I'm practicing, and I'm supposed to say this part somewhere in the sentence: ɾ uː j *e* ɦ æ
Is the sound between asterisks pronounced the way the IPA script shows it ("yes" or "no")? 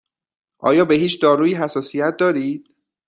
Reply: no